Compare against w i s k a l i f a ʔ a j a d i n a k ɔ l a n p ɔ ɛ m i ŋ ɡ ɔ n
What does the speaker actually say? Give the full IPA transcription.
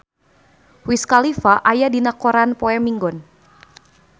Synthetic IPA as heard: w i s k a l i f a ʔ a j a d i n a k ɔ ɾ a n p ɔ ɛ m i ŋ ɡ ɔ n